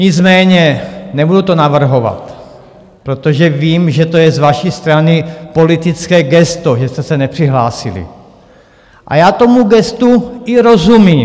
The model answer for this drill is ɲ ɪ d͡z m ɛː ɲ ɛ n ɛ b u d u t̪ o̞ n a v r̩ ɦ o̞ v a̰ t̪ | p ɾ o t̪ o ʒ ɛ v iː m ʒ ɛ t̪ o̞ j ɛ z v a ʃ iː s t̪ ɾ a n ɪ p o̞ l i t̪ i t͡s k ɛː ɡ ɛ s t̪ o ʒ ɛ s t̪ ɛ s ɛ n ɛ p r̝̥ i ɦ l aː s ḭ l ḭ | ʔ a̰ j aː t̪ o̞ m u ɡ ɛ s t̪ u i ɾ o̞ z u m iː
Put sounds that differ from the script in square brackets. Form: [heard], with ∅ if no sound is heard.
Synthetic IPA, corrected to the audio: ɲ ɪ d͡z m ɛː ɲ ɛ n ɛ b u d u t̪ o̞ n a v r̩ ɦ o̞ v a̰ t̪ | p ɾ o t̪ o ʒ ɛ v iː m ʒ ɛ t̪ o̞ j ɛ z v a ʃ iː s t̪ ɾ a n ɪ p o̞ l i t̪ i t͡s k ɛː ɡ ɛ s t̪ o ʒ ɛ s t̪ ɛ s ɛ n ɛ p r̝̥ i ɦ l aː s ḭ l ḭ | ʔ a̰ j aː t̪ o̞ m u ɡ ɛ s t̪ u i ɾ o̞ z u m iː

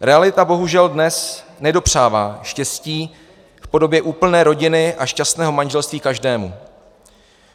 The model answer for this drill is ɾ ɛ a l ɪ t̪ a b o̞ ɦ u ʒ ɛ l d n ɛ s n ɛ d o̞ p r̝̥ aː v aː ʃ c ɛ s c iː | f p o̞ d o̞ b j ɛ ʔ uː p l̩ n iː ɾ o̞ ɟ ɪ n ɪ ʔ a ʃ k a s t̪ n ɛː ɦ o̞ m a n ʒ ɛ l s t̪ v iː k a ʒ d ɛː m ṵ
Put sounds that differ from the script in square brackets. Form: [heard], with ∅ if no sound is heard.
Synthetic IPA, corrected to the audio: ɾ ɛ a l ɪ t̪ a b o̞ ɦ u ʒ ɛ l d n ɛ s n ɛ d o̞ p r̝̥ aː v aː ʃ c ɛ s c iː | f p o̞ d o̞ b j ɛ ʔ uː p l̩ n [ɛː] ɾ o̞ ɟ ɪ n ɪ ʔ a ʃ [c] a s t̪ n ɛː ɦ o̞ m a n ʒ ɛ l s t̪ v iː k a ʒ d ɛː m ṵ

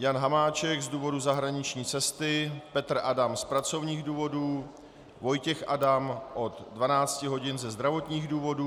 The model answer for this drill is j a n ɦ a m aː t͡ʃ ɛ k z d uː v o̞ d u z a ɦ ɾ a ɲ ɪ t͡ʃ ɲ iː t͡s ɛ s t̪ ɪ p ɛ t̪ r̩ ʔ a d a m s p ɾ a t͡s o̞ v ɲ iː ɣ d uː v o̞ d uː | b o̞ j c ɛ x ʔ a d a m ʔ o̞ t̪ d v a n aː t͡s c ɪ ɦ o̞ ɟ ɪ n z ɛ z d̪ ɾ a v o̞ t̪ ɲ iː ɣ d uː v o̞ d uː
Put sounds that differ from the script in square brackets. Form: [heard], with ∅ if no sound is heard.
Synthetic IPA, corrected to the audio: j a n ɦ a m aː t͡ʃ ɛ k z d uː v o̞ d u z a ɦ ɾ a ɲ ɪ t͡ʃ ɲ iː t͡s ɛ s t̪ ɪ p ɛ t̪ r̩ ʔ a d a m s p ɾ a t͡s o̞ v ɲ iː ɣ d uː v o̞ d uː | [v] o̞ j c ɛ x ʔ a d a m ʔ o̞ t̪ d v a n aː t͡s c ɪ ɦ o̞ ɟ ɪ n z ɛ z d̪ ɾ a v o̞ t̪ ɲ iː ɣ d uː v o̞ d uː

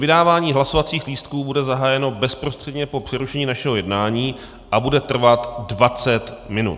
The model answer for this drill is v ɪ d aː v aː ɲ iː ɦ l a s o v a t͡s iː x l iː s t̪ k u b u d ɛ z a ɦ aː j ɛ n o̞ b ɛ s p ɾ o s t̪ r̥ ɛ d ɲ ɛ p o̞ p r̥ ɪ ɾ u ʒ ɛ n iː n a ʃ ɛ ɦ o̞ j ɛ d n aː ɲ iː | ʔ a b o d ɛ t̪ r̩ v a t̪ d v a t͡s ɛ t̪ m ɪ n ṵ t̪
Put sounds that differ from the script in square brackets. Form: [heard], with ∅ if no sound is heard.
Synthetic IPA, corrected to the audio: v ɪ d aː v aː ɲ iː ɦ l a s o v a t͡s iː x l iː s t̪ k [uː] b u d ɛ z a ɦ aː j ɛ n o̞ b ɛ s p ɾ o s t̪ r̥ ɛ d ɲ ɛ p o̞ p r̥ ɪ ɾ u [ʃ] ɛ [ɲ] iː n a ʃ ɛ ɦ o̞ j ɛ d n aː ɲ iː | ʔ a b [u] d ɛ t̪ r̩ v a t̪ d v a t͡s ɛ t̪ m ɪ n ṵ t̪

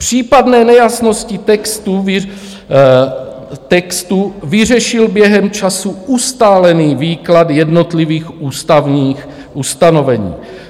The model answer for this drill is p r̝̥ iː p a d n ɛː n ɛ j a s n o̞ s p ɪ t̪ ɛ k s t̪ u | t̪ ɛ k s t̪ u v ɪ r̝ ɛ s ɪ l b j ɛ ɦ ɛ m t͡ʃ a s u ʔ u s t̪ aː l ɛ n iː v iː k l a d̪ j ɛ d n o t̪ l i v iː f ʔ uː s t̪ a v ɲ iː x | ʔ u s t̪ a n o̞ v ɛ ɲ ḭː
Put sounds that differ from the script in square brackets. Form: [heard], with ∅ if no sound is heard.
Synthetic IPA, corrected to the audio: p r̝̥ iː p a d n ɛː n ɛ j a s n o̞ s [c] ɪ t̪ ɛ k s t̪ u | t̪ ɛ k s t̪ u v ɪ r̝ ɛ [ʃ] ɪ l b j ɛ ɦ ɛ m t͡ʃ a s u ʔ u s t̪ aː l ɛ n iː v iː k l a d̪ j ɛ d n o t̪ l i v iː [x] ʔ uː s t̪ a v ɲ iː x | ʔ u s t̪ a n o̞ v ɛ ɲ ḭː

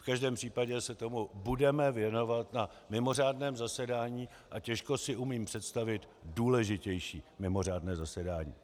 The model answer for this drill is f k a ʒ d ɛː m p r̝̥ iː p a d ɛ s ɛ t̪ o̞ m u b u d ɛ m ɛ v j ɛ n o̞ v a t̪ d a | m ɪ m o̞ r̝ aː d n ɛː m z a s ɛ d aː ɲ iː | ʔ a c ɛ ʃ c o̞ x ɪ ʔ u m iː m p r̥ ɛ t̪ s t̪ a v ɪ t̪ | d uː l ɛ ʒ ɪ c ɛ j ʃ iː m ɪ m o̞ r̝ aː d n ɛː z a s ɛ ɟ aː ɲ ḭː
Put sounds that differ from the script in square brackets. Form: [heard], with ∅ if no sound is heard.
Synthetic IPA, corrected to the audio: f k a ʒ d ɛː m p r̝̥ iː p a [ɟ] ɛ s ɛ t̪ o̞ m u b u d ɛ m ɛ v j ɛ n o̞ v a t̪ [n] a | m ɪ m o̞ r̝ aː d n ɛː m z a s ɛ d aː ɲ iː | ʔ a c ɛ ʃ [k] o̞ [s] ɪ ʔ u m iː m p r̥ ɛ t̪ s t̪ a v ɪ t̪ | d uː l ɛ ʒ ɪ c ɛ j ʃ iː m ɪ m o̞ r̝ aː d n ɛː z a s ɛ [d] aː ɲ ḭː

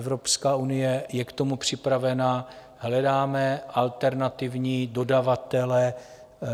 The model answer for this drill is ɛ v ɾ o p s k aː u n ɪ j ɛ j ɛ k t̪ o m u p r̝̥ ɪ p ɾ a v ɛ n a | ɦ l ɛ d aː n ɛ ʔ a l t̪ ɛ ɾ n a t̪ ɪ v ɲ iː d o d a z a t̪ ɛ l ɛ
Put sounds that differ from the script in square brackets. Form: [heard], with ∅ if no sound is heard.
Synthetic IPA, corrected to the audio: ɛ v ɾ o p s k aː u n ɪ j ɛ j ɛ k t̪ o m u p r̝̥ ɪ p ɾ a v ɛ n a | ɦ l ɛ d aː [m] ɛ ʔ a l t̪ ɛ ɾ n a t̪ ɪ v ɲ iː d o d a [v] a t̪ ɛ l ɛ

